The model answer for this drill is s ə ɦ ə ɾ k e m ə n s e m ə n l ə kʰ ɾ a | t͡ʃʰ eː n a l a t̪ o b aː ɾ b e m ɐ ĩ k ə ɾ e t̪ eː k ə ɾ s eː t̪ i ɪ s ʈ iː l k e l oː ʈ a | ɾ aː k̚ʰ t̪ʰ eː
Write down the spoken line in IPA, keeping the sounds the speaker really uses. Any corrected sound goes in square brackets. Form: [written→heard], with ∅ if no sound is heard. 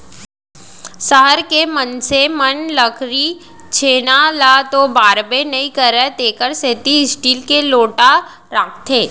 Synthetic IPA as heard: s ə ɦ ə ɾ k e m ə n s e m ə n l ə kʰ ɾ [a→i] | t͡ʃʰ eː n a l a t̪ o b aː ɾ b e [m→n] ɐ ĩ k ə ɾ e t̪ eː k ə ɾ s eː t̪ i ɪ s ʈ iː l k e l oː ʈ a | ɾ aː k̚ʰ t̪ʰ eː